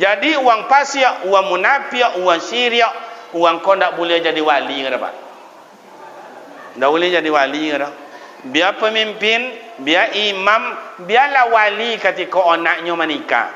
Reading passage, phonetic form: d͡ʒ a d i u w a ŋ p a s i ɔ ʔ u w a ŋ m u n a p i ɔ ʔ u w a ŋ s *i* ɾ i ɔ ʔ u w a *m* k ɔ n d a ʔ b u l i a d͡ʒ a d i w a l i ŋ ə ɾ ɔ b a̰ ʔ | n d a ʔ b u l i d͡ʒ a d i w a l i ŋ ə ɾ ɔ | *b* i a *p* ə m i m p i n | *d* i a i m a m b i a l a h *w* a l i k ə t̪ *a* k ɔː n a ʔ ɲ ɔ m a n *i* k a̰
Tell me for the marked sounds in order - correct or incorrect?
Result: correct, incorrect: ŋ, correct, correct, incorrect: b, correct, incorrect: i, correct

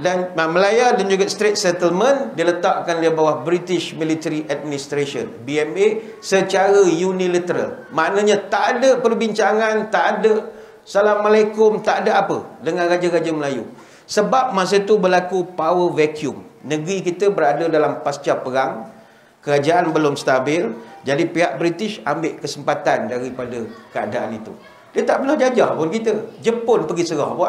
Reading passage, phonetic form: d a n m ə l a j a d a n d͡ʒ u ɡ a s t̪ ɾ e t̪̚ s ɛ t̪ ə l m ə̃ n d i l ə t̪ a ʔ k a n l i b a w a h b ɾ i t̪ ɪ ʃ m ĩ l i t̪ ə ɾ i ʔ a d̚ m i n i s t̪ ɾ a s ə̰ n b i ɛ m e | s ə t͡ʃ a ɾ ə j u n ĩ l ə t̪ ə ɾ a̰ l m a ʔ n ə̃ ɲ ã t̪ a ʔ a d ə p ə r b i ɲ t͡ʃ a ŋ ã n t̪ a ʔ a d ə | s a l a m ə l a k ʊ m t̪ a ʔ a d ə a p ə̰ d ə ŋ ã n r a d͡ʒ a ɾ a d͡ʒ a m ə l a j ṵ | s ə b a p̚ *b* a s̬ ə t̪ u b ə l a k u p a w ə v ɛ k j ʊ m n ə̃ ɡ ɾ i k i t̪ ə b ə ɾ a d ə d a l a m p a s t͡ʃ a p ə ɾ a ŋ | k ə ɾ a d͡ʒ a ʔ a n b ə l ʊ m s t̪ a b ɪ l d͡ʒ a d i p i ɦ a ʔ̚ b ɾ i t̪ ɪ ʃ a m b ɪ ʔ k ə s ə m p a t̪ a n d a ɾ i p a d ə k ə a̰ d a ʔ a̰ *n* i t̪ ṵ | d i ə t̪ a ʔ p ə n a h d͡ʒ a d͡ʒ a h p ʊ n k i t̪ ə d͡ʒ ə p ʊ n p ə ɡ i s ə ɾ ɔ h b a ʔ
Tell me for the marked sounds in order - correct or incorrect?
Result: incorrect: m, correct

